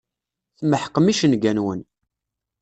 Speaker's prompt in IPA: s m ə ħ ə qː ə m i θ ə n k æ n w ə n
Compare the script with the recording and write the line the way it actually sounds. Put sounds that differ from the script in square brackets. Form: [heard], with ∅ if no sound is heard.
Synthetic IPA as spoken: [θ] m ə ħ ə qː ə m i [ʃ] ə n [ɡ] æ n w ə n